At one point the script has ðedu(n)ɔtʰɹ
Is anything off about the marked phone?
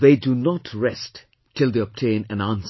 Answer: no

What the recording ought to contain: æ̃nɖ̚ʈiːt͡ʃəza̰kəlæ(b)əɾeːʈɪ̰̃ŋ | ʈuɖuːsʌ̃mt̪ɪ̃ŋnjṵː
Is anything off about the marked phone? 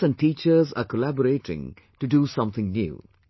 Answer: no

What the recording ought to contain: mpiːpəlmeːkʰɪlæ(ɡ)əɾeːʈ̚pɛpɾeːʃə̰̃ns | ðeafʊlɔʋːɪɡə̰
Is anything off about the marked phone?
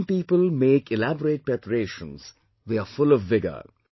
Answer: yes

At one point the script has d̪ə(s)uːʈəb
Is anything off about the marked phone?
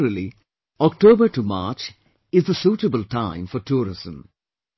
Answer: no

